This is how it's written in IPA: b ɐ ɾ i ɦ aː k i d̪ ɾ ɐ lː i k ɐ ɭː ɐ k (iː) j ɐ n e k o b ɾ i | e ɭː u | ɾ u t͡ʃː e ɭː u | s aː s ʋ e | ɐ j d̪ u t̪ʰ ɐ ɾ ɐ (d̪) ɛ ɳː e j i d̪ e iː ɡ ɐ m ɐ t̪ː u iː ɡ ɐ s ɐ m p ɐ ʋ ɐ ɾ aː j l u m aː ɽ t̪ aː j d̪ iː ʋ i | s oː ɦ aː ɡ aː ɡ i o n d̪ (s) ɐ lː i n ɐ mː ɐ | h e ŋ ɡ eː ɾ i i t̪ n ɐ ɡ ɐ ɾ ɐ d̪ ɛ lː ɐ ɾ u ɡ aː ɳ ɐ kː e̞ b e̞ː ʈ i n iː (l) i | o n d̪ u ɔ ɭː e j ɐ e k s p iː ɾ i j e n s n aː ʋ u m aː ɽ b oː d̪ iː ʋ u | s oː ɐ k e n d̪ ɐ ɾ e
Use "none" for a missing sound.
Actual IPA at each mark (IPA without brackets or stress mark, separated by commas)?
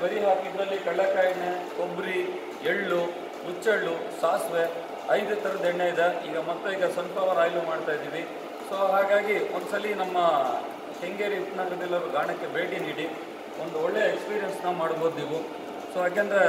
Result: aː, d̪, s, ɽ